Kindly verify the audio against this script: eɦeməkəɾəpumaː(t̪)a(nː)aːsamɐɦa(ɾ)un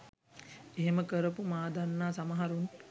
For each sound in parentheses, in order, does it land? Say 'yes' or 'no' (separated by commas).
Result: no, yes, yes